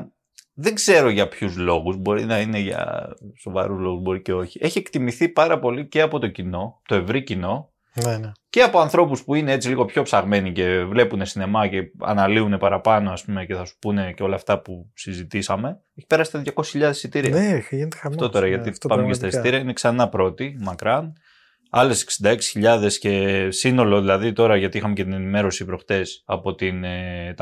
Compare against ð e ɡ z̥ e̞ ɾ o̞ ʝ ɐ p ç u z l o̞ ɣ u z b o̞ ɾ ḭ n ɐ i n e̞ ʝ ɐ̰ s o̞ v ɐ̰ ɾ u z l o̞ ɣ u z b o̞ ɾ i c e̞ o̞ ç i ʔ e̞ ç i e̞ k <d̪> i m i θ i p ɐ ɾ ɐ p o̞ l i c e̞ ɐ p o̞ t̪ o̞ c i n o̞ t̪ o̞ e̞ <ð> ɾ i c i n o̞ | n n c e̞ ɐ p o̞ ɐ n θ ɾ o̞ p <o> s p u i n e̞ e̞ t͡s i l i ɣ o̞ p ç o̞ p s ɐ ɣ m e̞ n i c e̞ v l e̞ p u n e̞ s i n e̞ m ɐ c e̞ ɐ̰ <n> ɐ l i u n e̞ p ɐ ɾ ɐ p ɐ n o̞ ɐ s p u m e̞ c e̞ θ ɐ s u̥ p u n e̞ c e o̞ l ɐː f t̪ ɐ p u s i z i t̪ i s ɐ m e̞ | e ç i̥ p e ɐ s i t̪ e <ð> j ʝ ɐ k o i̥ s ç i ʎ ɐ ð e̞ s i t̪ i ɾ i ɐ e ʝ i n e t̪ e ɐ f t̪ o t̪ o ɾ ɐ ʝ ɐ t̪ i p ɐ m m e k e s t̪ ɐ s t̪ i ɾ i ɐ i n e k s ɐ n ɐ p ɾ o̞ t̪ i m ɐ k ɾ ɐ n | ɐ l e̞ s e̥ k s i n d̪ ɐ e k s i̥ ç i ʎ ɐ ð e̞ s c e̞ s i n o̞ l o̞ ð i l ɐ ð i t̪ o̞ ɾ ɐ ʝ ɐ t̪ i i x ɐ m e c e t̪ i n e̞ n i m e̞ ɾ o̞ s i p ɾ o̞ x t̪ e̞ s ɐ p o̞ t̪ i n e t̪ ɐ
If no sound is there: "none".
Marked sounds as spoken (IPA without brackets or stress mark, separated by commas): t̪, v, u, n, ð